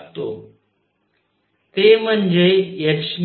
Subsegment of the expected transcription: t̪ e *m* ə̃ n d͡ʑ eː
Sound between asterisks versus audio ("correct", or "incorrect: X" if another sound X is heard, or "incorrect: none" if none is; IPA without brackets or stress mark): correct